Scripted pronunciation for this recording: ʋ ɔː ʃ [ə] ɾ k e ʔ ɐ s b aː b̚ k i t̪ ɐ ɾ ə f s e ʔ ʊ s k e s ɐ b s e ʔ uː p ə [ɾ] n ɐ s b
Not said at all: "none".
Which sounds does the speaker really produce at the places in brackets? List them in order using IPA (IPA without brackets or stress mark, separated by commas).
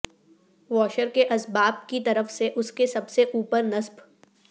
ə, ɾ